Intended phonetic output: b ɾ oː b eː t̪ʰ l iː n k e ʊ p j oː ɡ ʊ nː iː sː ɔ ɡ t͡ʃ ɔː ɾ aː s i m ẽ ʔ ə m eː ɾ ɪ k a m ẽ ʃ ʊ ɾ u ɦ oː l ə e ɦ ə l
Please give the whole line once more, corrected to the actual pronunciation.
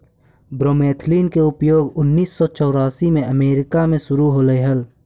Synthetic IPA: b ɾ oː m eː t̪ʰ l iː n k e ʊ p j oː ɡ ʊ nː iː sː ɔ t͡ʃ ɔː ɾ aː s i m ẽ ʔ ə m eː ɾ ɪ k a m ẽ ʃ ʊ ɾ u ɦ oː l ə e ɦ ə l